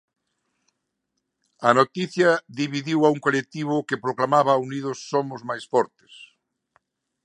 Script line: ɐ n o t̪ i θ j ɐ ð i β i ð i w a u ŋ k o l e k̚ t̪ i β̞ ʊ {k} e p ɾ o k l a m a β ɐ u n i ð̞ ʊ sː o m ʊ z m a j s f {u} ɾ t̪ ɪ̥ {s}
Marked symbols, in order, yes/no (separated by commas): yes, no, yes